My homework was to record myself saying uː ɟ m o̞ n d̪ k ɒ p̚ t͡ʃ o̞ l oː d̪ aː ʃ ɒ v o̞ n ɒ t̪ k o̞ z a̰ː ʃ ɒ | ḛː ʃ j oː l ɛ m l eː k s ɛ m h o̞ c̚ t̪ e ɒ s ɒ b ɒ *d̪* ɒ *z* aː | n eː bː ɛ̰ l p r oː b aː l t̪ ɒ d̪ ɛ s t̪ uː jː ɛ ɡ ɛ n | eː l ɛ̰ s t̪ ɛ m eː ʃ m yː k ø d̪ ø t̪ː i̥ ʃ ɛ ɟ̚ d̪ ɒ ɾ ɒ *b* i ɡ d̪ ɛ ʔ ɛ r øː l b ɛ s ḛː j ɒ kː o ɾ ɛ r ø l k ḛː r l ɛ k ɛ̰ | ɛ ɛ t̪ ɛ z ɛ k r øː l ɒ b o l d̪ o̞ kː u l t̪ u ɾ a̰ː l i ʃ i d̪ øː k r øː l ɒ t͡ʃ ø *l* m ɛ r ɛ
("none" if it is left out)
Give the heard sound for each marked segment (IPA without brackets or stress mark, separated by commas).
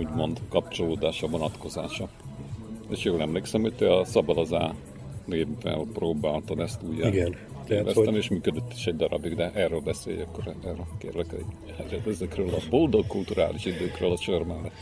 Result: d̪, z, b, r